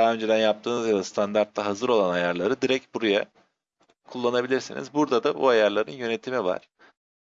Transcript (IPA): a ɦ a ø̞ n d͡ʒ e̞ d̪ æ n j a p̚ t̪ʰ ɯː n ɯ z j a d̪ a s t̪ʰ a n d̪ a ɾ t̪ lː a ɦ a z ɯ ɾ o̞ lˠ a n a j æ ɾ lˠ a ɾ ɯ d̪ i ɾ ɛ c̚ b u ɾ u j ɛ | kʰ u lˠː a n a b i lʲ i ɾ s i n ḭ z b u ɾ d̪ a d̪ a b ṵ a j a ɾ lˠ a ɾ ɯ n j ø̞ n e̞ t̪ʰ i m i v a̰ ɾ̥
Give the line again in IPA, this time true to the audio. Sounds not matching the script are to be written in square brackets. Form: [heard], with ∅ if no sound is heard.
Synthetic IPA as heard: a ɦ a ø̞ n d͡ʒ e̞ d̪ æ n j a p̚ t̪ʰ ɯː n ɯ z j a d̪ a s t̪ʰ a n d̪ a ɾ t̪ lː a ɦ a z ɯ ɾ o̞ lˠ a n a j [a] ɾ lˠ a ɾ ɯ d̪ i ɾ ɛ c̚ b u ɾ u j [a] | kʰ u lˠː a n a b i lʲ i ɾ s i n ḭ z b u ɾ d̪ a d̪ a b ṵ a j a ɾ lˠ a ɾ ɯ n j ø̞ n e̞ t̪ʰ i m i v a̰ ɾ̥